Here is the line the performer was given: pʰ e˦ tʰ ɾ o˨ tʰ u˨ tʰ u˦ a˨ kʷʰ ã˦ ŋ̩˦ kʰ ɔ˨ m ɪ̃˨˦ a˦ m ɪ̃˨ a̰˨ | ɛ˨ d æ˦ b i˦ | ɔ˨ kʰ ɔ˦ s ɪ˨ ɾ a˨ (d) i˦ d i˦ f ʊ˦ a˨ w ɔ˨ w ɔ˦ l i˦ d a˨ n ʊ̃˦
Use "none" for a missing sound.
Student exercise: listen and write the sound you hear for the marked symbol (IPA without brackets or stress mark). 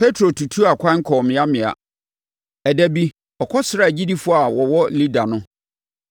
d͡ʑ